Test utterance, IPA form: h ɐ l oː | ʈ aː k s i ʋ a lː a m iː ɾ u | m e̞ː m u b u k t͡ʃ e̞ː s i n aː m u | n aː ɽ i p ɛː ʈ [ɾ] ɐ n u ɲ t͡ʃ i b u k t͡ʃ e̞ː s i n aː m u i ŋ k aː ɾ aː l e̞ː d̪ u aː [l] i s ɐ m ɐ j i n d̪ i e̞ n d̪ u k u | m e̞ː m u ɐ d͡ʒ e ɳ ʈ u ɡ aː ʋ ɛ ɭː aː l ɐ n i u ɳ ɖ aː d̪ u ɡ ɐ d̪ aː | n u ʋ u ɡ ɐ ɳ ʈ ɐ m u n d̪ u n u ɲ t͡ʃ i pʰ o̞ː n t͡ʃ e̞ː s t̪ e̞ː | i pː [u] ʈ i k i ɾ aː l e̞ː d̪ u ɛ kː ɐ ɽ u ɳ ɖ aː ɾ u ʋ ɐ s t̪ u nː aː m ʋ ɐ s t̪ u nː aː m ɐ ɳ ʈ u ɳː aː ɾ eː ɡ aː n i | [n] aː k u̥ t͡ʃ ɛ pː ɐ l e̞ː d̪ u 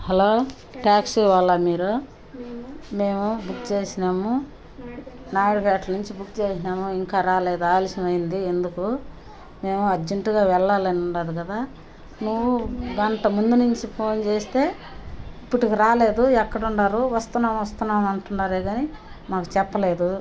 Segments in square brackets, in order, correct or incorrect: incorrect, correct, correct, incorrect

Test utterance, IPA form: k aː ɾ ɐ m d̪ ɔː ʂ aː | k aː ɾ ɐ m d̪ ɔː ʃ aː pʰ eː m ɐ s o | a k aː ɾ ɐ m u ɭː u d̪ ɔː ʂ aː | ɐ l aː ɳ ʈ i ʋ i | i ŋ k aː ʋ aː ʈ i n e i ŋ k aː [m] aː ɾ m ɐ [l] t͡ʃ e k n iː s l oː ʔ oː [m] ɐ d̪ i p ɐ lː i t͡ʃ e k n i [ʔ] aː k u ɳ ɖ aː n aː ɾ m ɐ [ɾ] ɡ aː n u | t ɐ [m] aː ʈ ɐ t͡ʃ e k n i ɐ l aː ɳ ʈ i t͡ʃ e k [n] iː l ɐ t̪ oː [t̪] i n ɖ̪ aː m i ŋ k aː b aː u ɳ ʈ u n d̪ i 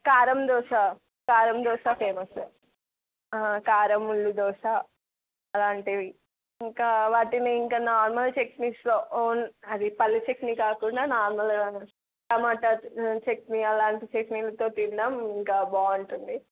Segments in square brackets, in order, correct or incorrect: incorrect, correct, incorrect, incorrect, incorrect, correct, correct, correct

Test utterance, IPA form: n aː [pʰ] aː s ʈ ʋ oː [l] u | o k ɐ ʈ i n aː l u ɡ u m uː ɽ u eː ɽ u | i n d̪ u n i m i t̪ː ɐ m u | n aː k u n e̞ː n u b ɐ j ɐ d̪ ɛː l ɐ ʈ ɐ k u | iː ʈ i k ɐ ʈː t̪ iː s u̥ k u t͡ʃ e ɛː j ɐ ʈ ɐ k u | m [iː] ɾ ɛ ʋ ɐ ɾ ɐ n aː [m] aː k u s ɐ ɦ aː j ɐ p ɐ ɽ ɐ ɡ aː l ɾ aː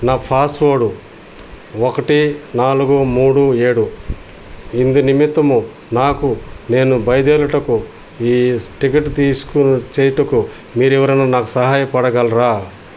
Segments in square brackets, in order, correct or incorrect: correct, incorrect, correct, incorrect

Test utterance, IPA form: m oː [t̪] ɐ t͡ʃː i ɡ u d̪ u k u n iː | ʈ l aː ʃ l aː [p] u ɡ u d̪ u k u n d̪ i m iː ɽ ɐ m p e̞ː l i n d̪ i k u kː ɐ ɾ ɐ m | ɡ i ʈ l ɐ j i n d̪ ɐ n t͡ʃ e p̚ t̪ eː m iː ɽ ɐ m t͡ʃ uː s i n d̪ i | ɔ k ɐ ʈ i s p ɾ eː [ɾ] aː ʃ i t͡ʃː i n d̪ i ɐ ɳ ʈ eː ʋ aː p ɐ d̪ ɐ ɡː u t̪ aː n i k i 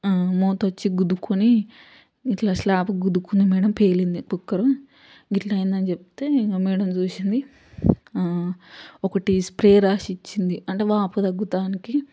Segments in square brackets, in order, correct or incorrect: correct, correct, correct

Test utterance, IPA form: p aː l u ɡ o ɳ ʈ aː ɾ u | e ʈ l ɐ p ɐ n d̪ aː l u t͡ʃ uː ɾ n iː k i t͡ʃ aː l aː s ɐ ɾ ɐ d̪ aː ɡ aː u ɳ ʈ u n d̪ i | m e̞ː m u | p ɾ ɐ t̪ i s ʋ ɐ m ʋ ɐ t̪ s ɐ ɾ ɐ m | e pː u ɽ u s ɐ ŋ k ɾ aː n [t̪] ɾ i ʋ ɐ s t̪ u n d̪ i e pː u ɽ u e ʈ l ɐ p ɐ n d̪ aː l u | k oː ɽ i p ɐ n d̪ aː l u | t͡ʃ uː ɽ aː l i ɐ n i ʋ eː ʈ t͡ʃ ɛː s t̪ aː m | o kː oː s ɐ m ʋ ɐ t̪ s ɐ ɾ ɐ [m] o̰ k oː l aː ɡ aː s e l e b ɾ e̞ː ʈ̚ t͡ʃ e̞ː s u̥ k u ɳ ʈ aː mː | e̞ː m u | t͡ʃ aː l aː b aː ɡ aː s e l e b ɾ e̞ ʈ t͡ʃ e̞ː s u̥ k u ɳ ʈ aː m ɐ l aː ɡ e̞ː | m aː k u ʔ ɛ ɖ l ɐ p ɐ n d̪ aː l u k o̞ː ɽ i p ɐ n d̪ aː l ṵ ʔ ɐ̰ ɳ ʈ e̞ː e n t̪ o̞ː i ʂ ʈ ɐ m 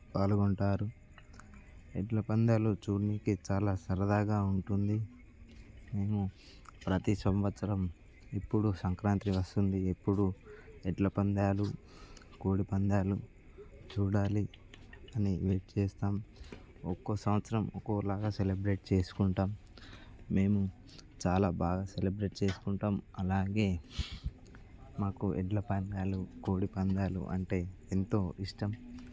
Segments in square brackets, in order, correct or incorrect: correct, correct

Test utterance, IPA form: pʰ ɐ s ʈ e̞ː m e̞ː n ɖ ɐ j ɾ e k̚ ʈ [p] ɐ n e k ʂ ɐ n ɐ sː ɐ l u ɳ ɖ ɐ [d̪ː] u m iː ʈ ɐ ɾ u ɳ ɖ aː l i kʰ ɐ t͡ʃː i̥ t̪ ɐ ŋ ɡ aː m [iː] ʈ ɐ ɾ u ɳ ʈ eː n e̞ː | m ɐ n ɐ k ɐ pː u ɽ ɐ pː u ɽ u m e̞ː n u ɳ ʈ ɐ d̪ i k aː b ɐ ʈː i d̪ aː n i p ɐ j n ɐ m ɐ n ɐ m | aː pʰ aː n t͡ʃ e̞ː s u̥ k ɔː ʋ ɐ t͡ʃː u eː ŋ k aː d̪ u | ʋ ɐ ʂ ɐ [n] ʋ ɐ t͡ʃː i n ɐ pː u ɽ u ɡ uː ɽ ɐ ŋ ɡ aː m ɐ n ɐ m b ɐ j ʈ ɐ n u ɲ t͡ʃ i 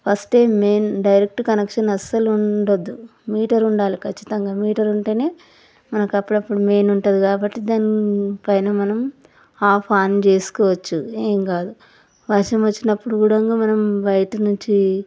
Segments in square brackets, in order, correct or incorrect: incorrect, correct, correct, incorrect

